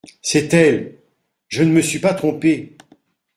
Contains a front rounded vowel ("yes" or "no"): no